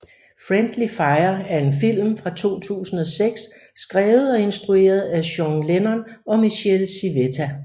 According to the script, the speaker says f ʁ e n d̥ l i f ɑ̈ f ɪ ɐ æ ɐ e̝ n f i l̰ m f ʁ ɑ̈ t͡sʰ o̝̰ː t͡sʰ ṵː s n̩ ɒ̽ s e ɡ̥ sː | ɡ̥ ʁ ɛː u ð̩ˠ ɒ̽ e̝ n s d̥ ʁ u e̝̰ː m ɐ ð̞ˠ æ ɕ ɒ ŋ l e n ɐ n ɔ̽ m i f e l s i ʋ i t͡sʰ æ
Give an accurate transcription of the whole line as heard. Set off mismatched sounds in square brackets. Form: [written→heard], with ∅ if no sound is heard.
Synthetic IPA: f ʁ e n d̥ l i f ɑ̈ [f→∅] ɪ ɐ æ ɐ e̝ n f i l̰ m f ʁ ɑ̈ t͡sʰ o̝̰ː t͡sʰ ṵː s n̩ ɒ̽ s e ɡ̥ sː | ɡ̥ ʁ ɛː [u→ʊ] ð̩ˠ ɒ̽ e̝ n s d̥ ʁ u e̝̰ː [m→∅] ɐ ð̞ˠ æ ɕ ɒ ŋ l e n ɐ n [ɔ̽→ɒ̽] m i [f→ɕ] e l s i ʋ [i→e] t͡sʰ æ